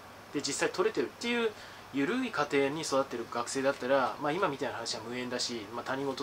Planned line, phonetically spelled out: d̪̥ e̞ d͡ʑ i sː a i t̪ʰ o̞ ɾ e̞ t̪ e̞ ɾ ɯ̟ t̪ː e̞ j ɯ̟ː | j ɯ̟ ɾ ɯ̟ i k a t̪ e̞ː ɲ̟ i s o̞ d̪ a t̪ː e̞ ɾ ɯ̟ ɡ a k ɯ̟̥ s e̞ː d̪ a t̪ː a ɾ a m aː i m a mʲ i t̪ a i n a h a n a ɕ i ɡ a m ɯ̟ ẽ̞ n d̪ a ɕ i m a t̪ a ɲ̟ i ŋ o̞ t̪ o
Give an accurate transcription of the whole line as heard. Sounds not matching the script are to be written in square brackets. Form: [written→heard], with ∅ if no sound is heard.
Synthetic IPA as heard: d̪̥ e̞ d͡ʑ i sː a i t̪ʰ o̞ ɾ e̞ t̪ e̞ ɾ ɯ̟ t̪ː e̞ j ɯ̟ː | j ɯ̟ ɾ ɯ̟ i k a t̪ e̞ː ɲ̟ i s o̞ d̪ a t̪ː e̞ ɾ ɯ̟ ɡ a k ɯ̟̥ s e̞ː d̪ a t̪ː a ɾ a m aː i m a mʲ i t̪ a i n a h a n a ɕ i ɡ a m ɯ̟ ẽ̞ n d̪ a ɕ i m a t̪ a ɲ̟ i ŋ o̞ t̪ o